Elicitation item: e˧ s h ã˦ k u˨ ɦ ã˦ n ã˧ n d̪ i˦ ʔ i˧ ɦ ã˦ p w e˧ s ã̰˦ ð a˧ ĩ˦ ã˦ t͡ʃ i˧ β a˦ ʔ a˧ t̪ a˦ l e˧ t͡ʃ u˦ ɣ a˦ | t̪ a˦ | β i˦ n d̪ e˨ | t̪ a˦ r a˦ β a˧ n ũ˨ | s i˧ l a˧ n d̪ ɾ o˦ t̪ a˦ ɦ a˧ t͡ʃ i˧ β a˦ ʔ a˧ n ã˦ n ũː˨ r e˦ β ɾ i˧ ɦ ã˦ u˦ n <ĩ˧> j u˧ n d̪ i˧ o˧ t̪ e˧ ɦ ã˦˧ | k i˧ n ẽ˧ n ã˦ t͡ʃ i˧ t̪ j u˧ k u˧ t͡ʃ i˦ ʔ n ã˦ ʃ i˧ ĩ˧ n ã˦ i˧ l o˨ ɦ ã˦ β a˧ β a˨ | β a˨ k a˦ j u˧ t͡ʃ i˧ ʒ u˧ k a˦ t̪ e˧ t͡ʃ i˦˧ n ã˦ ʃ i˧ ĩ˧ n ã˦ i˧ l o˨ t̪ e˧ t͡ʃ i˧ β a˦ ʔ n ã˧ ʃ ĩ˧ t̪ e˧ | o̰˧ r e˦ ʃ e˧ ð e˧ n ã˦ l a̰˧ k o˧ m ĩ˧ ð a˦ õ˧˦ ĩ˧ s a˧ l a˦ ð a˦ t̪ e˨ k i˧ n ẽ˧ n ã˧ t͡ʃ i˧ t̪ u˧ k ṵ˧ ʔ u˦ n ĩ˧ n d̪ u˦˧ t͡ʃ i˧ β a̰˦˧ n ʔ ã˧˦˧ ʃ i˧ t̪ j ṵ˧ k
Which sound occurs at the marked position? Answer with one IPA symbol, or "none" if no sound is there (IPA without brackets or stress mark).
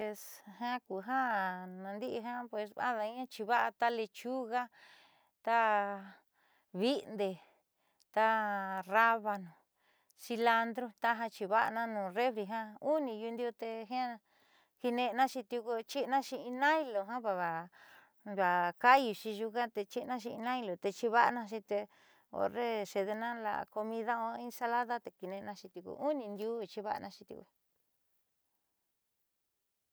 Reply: ĩ˧